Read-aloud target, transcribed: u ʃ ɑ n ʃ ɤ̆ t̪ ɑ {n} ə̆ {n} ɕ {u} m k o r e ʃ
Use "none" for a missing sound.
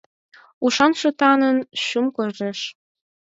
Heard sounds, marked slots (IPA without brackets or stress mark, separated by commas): n, n, u